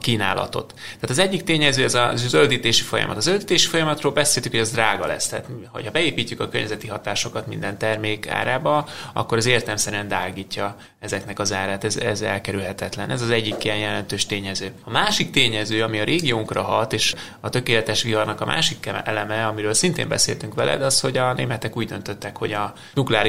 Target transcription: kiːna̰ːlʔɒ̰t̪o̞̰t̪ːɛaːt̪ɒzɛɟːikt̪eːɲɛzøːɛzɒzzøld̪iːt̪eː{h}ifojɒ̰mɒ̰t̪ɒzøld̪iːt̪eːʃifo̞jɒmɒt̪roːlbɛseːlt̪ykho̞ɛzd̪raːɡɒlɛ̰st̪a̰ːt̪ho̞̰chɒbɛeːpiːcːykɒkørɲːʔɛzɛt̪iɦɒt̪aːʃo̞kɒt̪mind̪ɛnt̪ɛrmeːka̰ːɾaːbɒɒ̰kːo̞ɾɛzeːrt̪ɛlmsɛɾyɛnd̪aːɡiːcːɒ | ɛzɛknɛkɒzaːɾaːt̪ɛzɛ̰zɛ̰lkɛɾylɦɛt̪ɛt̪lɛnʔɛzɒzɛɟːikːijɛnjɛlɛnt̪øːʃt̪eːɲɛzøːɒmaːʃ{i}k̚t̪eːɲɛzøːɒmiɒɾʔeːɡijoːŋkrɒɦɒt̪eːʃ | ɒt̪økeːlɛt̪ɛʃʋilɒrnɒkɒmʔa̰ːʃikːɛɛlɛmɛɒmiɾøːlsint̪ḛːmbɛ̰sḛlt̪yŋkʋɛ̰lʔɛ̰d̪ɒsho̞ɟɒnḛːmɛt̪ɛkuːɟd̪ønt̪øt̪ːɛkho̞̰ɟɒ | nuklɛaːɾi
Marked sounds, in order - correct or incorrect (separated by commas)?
incorrect, correct